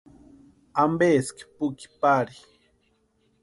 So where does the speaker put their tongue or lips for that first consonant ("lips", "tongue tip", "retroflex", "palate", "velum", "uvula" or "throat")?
lips